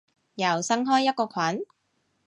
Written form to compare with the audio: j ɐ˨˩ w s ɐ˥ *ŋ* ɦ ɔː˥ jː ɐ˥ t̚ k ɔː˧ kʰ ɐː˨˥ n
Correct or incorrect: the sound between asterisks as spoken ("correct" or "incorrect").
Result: correct